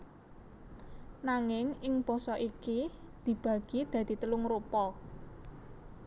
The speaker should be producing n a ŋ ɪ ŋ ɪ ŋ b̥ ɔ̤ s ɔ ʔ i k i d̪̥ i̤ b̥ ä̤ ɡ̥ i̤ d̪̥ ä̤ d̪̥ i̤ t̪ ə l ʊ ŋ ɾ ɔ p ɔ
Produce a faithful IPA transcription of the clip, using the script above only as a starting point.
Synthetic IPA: n a ŋ ɪ ŋ ɪ ŋ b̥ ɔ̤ s ɔ ʔ i k i d̪̥ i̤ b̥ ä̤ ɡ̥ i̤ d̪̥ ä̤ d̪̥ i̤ t̪ ə l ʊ ŋ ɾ u p ɔ